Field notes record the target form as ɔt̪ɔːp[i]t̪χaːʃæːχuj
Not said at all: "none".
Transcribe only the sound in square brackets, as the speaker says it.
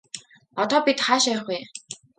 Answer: i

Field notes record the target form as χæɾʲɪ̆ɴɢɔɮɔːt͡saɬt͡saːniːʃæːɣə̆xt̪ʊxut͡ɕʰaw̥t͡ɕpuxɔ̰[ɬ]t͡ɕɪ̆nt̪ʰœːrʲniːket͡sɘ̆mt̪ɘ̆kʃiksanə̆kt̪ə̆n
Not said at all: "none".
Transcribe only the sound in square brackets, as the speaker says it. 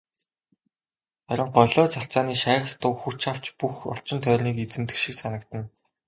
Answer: ɬ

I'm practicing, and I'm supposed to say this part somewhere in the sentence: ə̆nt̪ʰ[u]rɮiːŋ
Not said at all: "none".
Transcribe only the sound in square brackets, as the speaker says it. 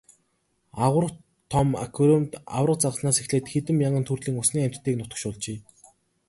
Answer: u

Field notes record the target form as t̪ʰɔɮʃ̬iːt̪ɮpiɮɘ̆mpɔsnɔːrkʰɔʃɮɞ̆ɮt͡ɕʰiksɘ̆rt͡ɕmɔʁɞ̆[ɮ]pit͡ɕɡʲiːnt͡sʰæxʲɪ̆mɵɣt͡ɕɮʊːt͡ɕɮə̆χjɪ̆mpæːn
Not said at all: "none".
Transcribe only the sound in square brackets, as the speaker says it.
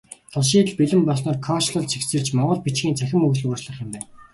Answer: ɮ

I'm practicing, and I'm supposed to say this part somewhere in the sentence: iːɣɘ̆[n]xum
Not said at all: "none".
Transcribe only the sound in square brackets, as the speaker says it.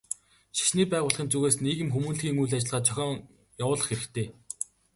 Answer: m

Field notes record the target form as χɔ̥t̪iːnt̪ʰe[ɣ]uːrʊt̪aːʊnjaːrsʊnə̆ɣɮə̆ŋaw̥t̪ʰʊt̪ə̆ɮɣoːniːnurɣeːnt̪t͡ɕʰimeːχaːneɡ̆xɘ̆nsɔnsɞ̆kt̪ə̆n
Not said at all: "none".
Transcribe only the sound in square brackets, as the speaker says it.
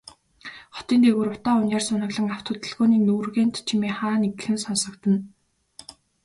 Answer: ɣ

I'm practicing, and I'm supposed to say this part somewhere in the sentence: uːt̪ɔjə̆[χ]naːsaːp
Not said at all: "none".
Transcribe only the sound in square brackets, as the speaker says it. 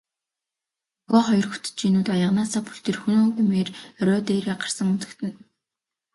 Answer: ʁ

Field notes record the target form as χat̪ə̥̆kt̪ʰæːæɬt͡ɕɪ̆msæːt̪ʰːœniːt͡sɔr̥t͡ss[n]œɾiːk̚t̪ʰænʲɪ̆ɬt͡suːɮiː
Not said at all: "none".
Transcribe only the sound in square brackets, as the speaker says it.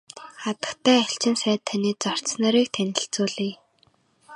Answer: n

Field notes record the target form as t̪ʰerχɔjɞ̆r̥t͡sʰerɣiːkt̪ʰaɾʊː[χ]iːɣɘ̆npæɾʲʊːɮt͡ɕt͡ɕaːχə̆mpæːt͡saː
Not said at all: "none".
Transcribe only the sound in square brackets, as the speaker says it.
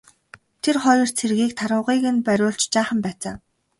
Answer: ʁ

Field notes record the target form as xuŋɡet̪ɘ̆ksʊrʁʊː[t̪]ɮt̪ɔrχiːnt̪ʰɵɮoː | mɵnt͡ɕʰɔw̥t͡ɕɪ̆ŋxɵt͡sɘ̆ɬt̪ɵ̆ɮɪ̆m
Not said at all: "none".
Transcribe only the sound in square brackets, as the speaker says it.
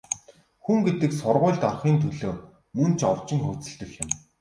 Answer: none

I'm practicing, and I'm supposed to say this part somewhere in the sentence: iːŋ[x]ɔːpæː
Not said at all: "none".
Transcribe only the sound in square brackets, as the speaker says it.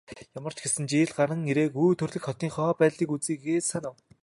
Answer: χ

